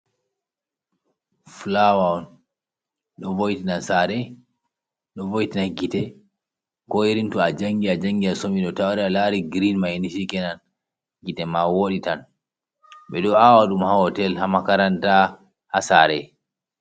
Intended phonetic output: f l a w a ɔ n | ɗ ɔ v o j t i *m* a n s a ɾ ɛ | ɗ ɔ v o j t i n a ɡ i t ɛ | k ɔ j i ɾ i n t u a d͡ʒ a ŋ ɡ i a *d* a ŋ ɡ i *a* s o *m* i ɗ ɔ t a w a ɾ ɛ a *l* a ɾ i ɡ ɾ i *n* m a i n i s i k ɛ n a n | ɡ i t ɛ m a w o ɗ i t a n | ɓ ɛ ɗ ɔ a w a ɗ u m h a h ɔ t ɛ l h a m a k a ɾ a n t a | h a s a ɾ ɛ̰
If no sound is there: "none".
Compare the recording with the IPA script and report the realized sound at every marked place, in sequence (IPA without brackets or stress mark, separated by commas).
n, d͡ʒ, a, m, l, n